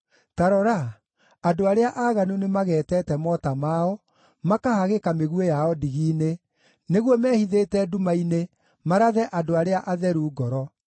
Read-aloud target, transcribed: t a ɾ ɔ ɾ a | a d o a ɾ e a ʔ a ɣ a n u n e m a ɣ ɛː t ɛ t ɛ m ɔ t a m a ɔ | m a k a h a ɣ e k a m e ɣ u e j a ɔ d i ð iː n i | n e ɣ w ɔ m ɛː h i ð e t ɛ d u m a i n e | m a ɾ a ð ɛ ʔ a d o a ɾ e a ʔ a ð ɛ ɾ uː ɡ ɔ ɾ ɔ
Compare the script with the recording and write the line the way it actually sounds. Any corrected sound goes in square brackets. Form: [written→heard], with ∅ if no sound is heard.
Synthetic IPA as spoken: t a ɾ ɔ ɾ a | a d o a ɾ e a ʔ a ɣ a n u n e m a ɣ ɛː t ɛ t ɛ m ɔ t a m a ɔ | m a k a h a ɣ e k a m e ɣ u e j a ɔ d i [ð→ɣ] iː n [i→e] | n e ɣ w ɔ m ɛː h i ð e t ɛ d u m a i n e | m a ɾ a ð ɛ ʔ a d o a ɾ e a ʔ a ð ɛ ɾ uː ɡ ɔ ɾ ɔ